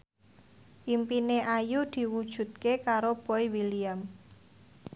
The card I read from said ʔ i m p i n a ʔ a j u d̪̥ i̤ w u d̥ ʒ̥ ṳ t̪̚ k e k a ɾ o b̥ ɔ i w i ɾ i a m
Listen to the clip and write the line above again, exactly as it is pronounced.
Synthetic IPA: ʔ i m p i n e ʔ a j u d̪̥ i̤ w u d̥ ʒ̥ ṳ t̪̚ k e k a ɾ o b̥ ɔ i w i l i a m

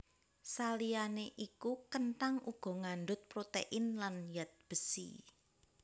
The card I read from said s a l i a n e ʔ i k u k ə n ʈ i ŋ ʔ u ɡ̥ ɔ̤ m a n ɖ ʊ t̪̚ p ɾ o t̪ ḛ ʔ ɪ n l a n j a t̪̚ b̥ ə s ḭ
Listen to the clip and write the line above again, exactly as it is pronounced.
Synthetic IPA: s a l i a n e ʔ i k u k ə n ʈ a ŋ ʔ u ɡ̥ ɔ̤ ŋ a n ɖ ʊ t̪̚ p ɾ o t̪ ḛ ʔ ɪ n l a n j a t̪̚ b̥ ə s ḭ

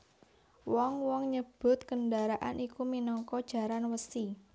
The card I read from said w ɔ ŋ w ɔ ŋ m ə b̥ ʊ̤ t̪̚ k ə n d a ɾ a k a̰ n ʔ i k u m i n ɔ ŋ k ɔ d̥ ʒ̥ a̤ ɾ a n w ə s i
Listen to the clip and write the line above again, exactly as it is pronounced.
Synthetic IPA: w ɔ ŋ w ɔ ŋ ɲ ə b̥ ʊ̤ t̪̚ k ə n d a ɾ a ʔ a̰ n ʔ i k u m i n ɔ ŋ k ɔ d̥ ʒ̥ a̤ ɾ a n w ə s i

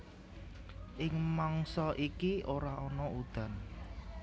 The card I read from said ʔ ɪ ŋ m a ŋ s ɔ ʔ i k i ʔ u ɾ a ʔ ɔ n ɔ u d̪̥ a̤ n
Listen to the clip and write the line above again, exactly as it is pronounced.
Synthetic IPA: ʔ ɪ ŋ m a ŋ s ɔ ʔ i k i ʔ o ɾ a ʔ ɔ n ɔ u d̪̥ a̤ n

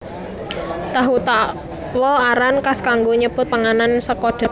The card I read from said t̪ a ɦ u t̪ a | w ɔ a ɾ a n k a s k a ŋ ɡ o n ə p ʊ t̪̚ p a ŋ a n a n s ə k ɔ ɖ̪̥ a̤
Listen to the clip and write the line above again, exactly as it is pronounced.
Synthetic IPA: t̪ a ɦ u t̪ a | w ɔ a ɾ a n k a s k a ŋ ɡ o ɲ ə p ʊ t̪̚ p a ŋ a n a n s ə k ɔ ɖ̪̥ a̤

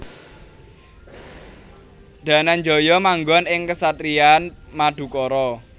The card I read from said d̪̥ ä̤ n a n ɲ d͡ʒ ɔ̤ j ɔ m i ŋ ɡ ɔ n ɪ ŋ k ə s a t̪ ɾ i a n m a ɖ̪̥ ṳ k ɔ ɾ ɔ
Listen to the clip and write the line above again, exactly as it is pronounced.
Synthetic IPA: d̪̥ ä̤ n a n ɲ d͡ʒ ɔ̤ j ɔ m a ŋ ɡ ɔ n ɪ ŋ k ə s a t̪ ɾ i a n m a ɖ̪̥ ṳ k ɔ ɾ ɔ

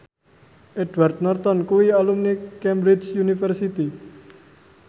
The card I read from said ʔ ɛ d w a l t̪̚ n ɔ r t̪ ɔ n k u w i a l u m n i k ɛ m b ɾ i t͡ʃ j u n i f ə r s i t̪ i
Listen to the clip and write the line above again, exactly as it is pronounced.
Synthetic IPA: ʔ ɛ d w a r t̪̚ n ɔ r t̪ ɔ n k u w i a l u m n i k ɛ m b ɾ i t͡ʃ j u n i f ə r s i t̪ i

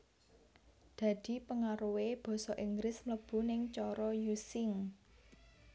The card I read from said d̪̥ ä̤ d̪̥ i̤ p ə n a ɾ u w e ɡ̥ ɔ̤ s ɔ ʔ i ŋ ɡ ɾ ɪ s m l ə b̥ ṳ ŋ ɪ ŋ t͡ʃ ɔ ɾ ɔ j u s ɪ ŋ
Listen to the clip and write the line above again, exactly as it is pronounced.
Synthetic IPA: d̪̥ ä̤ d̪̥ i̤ p ə ŋ a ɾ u w e b̥ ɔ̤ s ɔ ʔ i ŋ ɡ ɾ ɪ s m l ə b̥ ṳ n ɪ ŋ t͡ʃ ɔ ɾ ɔ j u s ɪ ŋ

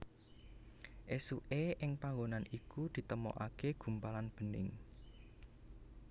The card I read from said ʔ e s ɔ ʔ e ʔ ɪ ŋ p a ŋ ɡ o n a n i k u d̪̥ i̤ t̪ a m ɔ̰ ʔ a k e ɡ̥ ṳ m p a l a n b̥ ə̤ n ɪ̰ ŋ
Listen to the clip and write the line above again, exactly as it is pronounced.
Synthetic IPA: ʔ e s u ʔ e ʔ ɪ ŋ p a ŋ ɡ o n a n i k u d̪̥ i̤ t̪ ə m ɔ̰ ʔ a k e ɡ̥ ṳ m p a l a n b̥ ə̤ n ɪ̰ ŋ

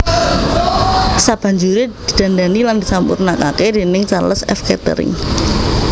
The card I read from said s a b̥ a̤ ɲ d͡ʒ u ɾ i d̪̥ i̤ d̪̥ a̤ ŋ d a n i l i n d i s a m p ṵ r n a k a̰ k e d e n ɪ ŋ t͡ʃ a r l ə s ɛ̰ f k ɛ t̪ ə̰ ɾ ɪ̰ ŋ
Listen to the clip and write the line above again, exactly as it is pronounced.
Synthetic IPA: s a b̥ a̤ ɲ d͡ʒ u ɾ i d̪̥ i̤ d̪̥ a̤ n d a n i l a n d i s a m p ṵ r n a k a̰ k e d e n ɪ ŋ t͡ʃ a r l ə s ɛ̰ f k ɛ t̪ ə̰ ɾ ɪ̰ ŋ

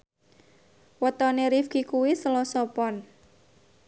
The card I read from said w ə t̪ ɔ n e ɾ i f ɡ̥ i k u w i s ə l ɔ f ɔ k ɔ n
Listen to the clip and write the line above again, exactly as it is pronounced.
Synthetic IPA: w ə t̪ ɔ n e ɾ i f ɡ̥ i k u w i s ə l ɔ s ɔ p ɔ n

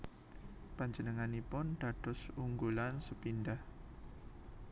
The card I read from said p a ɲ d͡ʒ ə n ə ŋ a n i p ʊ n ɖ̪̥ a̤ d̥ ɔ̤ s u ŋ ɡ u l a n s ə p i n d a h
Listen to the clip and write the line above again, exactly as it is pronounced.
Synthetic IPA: p a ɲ d͡ʒ ə n ə ŋ a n i p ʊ n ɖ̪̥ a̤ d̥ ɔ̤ s u ŋ ɡ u l a n s ə p i n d a h

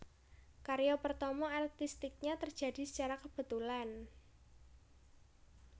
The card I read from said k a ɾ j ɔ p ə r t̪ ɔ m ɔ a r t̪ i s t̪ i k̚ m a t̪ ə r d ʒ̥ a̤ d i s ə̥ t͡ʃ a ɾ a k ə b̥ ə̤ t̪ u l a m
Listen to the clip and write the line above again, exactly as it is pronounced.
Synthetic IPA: k a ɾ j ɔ p ə r t̪ ɔ m ɔ a r t̪ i s t̪ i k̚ ɲ a t̪ ə r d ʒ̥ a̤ d i s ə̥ t͡ʃ a ɾ a k ə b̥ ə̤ t̪ u l a n

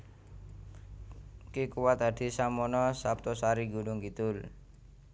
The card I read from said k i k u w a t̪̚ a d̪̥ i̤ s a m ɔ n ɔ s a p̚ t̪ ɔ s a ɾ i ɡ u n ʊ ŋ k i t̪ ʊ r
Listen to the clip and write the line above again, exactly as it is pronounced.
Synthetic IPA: k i k u w a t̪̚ a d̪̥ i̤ s a m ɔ n ɔ s a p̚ t̪ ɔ s a ɾ i ɡ u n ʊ ŋ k i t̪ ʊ l

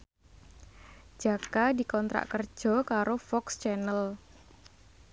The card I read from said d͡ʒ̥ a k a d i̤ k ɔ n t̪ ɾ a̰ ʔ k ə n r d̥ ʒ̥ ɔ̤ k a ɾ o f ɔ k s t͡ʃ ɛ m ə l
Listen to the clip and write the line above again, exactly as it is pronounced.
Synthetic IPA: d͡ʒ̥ a k a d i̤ k ɔ n t̪ ɾ a̰ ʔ k ə r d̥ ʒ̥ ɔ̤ k a ɾ o f ɔ k s t͡ʃ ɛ n ə l

